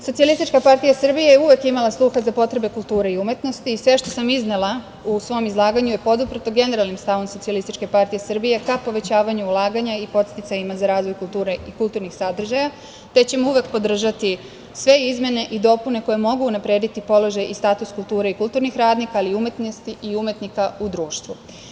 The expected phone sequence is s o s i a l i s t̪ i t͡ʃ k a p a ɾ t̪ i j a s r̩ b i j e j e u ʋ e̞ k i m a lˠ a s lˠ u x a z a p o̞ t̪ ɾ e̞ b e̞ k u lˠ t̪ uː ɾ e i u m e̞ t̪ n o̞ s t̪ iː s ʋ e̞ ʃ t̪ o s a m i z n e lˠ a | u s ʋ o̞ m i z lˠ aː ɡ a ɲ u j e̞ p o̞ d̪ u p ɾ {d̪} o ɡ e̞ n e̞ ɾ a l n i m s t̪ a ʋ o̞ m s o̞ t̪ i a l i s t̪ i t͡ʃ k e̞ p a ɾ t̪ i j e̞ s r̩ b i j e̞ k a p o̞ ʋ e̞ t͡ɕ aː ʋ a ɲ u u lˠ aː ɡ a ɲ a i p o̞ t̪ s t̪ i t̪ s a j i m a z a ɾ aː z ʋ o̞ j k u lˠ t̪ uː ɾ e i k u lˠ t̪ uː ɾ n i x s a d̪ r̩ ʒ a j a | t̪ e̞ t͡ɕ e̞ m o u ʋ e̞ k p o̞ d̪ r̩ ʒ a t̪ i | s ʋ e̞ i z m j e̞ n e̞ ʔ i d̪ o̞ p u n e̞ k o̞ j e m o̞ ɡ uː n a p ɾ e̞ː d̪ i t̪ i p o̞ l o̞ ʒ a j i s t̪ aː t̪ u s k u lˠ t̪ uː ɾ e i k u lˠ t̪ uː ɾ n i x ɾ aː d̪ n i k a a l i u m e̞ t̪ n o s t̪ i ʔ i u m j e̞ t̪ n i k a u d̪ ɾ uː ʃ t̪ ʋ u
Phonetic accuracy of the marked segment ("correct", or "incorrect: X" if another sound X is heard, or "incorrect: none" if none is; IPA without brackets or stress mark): incorrect: t̪